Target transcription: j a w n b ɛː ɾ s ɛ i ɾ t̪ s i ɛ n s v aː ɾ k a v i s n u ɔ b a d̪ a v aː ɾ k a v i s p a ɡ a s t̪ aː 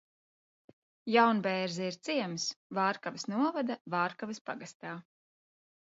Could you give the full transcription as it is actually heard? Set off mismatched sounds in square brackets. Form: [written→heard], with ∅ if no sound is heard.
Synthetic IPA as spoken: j a w n b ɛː ɾ [s→z] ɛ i ɾ t̪ s i ɛ [n→m] s v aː ɾ k a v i s n u ɔ [b→v] a d̪ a v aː ɾ k a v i s p a ɡ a s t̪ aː